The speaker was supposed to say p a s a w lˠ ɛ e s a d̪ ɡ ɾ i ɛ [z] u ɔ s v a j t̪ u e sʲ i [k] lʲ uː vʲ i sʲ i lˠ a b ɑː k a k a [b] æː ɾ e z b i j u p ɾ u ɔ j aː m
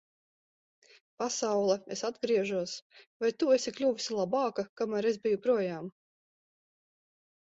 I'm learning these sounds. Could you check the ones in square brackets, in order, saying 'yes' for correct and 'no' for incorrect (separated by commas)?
no, yes, no